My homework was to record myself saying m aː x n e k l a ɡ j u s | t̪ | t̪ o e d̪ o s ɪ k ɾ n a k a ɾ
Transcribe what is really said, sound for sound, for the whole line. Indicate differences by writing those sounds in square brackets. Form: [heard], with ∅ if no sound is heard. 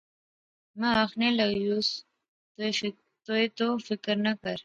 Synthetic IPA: m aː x n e [∅] l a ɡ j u s | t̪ | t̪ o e [t̪] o [f] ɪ k ɾ n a k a ɾ